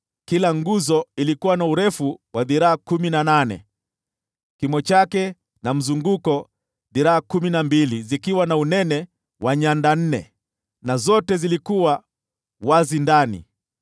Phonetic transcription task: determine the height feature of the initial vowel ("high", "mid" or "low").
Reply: high